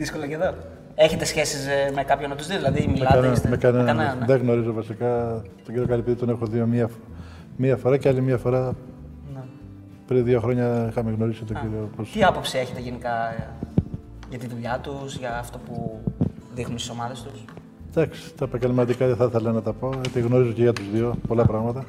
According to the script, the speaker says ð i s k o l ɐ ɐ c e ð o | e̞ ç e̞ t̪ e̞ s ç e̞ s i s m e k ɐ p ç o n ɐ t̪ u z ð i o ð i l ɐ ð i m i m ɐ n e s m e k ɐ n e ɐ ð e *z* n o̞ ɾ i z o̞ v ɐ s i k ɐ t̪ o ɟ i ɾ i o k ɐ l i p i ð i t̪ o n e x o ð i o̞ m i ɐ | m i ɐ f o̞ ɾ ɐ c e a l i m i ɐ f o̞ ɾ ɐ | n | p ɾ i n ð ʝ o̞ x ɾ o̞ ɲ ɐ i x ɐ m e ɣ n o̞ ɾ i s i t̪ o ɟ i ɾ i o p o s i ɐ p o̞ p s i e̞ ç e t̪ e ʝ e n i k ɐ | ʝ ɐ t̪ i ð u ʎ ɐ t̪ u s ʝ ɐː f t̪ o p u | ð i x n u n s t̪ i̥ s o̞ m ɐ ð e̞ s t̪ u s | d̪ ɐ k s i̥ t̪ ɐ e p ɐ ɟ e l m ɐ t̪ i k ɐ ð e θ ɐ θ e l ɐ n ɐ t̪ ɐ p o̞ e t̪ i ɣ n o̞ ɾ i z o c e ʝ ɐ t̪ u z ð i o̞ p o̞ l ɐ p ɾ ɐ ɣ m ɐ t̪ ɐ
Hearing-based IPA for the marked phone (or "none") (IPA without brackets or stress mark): ɣ